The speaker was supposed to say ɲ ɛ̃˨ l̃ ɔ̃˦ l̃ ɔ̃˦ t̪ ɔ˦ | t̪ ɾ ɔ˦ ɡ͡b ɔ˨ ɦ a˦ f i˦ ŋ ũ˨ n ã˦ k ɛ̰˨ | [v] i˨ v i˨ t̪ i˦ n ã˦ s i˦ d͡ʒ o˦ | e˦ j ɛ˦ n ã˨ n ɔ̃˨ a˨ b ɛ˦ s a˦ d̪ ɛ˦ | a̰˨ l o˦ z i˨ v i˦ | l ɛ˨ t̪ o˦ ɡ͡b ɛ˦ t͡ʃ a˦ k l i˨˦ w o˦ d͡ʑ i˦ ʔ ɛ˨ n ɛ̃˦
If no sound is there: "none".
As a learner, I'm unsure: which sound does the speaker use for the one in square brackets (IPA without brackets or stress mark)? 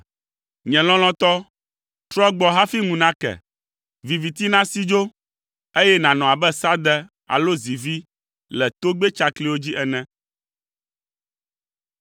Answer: v